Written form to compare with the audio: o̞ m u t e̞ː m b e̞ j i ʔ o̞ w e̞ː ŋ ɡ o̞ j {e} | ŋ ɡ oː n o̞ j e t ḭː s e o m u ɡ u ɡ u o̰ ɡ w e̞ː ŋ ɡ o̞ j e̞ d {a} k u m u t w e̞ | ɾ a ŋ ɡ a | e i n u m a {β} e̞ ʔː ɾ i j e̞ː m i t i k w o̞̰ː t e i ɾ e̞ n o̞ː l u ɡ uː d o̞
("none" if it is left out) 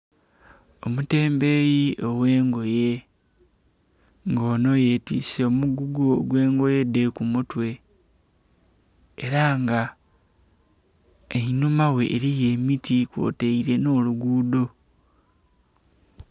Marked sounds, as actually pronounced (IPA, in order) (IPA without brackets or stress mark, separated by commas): e, e, w